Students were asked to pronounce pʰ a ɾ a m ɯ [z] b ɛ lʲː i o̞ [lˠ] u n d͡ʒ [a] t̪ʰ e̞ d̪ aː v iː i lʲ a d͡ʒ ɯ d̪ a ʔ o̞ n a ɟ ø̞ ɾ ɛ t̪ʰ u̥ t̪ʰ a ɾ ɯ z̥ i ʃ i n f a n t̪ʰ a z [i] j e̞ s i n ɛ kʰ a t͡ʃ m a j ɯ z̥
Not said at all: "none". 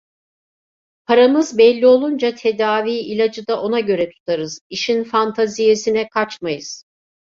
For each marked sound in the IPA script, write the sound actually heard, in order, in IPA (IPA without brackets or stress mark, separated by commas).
z, lˠ, a, i